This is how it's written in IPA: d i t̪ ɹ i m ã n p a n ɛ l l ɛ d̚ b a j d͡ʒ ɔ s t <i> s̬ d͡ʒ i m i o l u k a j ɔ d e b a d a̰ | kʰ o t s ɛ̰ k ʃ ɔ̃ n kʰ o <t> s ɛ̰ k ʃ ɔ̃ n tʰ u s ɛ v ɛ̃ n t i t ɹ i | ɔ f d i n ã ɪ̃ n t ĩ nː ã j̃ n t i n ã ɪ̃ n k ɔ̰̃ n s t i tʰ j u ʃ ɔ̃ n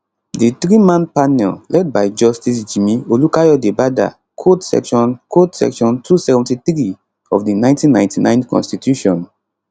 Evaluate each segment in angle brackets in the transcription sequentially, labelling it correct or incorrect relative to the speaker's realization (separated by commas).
correct, correct